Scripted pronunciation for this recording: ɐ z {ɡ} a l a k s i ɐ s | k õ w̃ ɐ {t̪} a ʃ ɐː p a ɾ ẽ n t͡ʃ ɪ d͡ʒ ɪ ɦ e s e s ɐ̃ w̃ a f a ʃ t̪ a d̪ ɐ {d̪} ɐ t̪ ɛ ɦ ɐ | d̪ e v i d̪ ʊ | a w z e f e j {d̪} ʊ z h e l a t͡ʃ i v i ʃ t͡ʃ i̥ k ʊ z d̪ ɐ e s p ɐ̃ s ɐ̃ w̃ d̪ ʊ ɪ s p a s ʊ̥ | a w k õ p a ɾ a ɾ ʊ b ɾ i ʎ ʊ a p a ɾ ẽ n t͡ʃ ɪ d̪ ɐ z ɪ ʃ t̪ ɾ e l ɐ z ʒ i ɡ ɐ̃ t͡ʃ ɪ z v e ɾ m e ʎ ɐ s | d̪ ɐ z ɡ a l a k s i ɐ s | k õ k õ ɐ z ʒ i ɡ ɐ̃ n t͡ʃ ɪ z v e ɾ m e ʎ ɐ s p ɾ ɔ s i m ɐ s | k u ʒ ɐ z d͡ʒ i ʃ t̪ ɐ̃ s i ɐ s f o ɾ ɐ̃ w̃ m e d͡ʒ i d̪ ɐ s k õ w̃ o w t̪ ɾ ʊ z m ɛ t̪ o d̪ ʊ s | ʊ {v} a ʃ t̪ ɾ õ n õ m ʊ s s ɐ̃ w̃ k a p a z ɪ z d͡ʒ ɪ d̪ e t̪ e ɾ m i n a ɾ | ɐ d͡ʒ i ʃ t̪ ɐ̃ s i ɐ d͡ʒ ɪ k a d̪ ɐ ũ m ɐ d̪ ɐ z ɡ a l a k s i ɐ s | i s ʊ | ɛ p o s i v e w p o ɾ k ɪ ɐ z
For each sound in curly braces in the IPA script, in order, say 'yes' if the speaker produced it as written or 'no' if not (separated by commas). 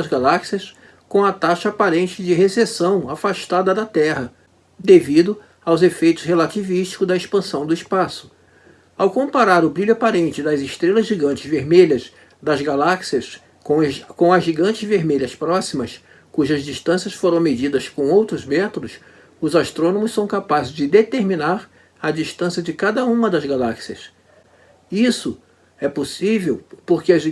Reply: yes, yes, yes, no, no